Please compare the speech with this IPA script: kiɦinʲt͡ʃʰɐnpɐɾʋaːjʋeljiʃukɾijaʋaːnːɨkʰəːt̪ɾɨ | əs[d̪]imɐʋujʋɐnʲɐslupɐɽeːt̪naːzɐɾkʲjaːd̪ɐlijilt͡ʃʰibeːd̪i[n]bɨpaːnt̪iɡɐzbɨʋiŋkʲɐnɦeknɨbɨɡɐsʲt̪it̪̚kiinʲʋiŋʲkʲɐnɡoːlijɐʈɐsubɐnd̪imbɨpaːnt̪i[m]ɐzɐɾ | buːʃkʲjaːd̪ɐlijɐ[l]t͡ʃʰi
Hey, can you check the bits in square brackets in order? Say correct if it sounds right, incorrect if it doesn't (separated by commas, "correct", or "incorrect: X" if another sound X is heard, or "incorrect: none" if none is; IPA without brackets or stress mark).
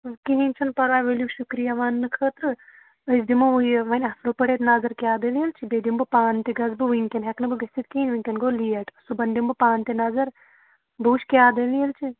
correct, incorrect: m, incorrect: n, correct